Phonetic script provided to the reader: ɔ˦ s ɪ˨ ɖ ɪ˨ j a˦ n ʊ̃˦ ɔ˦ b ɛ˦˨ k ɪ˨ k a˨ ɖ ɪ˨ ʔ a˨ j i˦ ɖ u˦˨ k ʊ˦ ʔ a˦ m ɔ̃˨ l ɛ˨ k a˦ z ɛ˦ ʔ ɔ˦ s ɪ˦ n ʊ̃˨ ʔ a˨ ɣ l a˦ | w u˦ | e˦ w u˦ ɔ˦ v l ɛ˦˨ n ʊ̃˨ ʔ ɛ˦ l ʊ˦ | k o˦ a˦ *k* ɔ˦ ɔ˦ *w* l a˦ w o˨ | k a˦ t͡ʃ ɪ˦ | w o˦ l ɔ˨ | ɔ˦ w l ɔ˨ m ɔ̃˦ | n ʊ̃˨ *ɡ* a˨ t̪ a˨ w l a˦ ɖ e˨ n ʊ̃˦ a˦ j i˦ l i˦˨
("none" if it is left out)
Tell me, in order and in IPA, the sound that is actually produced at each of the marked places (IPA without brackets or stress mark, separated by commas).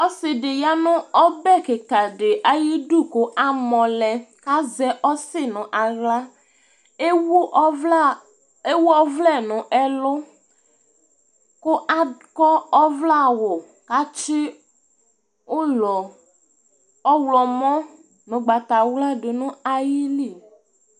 k, v, ɡ͡b